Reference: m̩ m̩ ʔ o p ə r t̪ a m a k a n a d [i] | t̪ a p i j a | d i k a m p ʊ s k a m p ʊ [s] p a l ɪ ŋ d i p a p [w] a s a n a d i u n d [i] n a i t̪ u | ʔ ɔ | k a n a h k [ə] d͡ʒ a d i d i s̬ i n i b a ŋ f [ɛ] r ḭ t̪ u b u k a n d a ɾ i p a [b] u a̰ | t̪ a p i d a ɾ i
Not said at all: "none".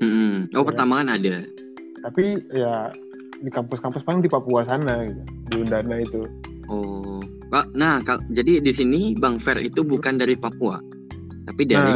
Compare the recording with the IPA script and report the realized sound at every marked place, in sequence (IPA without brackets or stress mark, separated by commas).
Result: a, s, u, a, a, ɛ, p